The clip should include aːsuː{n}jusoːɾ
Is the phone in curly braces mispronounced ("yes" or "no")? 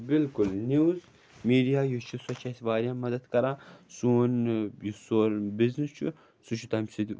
no